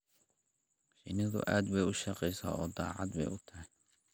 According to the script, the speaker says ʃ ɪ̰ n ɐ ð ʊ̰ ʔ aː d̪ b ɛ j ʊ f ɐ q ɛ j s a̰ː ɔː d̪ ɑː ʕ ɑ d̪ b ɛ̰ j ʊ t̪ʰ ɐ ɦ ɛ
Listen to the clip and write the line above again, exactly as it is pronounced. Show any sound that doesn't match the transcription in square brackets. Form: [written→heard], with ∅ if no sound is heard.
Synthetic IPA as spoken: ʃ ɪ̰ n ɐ ð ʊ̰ ʔ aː d̪ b ɛ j ʊ [f→ʃ] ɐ q ɛ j s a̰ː ɔː d̪ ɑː ʕ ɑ d̪ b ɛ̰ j ʊ t̪ʰ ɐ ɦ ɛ